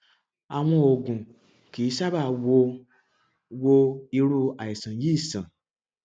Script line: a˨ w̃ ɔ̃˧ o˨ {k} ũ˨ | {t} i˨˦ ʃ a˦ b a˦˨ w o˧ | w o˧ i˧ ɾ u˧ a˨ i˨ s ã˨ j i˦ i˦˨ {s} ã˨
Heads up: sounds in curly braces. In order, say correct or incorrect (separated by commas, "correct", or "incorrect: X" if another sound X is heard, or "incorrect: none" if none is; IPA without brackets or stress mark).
incorrect: ɡ, incorrect: k, correct